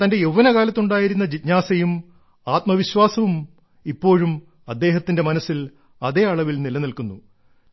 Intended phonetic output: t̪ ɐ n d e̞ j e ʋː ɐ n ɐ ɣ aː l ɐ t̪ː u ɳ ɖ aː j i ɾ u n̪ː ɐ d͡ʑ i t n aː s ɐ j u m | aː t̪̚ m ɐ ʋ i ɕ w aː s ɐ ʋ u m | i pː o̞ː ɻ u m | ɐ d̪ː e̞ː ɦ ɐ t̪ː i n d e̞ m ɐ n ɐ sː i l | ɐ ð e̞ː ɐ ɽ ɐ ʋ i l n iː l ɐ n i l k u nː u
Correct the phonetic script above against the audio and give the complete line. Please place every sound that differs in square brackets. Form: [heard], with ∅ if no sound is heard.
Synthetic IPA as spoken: t̪ ɐ n d e̞ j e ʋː ɐ n ɐ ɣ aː l ɐ t̪ː u ɳ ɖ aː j i ɾ u n̪ː ɐ d͡ʑ i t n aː s ɐ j u m | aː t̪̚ m ɐ ʋ i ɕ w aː s ɐ ʋ u m | i pː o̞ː ɻ u m | ɐ d̪ː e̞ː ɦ ɐ t̪ː i n d e̞ m ɐ n ɐ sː i l | ɐ ð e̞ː ɐ [ɭ] ɐ ʋ i l n [i] l ɐ n i l k u nː u